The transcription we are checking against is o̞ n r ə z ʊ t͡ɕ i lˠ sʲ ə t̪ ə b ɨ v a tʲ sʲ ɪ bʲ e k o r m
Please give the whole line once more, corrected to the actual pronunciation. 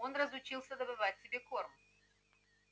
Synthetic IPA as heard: o̞ n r ə z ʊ t͡ɕ i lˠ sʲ ə d̪ ə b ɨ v a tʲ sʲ ɪ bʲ e k o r m